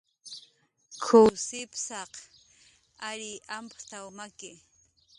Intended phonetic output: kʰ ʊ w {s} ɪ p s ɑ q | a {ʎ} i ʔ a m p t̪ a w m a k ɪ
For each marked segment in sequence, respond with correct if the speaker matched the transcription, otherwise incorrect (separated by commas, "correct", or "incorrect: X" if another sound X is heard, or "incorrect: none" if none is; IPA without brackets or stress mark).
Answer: correct, incorrect: ɾ